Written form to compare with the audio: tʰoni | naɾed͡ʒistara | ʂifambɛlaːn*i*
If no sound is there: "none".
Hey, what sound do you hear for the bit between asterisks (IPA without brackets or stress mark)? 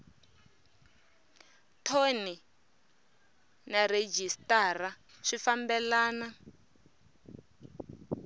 a